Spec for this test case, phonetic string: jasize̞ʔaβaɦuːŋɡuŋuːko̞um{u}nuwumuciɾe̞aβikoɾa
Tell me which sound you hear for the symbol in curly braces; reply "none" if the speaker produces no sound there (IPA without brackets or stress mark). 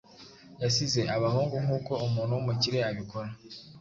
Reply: uː